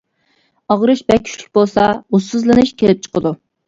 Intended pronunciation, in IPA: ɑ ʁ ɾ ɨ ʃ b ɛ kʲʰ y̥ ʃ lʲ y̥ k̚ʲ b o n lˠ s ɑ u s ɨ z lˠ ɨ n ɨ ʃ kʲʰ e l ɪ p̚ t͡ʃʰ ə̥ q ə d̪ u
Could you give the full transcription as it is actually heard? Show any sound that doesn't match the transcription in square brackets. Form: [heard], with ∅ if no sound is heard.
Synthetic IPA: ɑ ʁ ɾ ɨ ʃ b ɛ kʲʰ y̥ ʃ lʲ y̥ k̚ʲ b o [∅] lˠ s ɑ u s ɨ z lˠ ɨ n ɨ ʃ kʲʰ e l ɪ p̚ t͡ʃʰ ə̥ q ə d̪ u